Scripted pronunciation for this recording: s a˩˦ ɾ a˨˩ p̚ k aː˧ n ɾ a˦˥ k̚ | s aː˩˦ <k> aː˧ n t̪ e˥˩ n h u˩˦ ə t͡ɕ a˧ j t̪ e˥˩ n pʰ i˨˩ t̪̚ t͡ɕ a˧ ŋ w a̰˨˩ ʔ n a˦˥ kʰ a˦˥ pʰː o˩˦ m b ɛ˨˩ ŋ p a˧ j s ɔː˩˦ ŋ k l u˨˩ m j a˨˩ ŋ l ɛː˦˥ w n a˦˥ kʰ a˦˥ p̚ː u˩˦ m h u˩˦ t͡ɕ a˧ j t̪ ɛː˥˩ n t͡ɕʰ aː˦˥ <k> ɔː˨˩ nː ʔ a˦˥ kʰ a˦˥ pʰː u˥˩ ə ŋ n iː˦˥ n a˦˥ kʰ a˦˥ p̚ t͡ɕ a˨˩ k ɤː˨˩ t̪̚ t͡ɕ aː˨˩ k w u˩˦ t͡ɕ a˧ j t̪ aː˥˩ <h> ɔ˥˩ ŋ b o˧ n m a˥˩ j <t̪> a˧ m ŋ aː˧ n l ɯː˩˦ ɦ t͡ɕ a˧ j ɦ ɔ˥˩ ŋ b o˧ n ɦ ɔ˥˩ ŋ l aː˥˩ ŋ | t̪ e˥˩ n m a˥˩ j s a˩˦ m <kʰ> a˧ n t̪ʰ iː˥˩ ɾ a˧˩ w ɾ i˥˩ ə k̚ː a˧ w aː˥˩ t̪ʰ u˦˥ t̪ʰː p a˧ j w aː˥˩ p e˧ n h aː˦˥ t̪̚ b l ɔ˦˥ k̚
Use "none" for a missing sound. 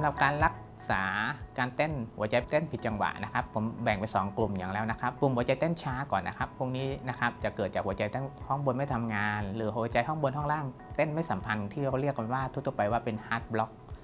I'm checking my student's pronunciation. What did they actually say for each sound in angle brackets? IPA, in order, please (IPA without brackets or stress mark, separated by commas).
k, k, h, t̪ʰ, pʰ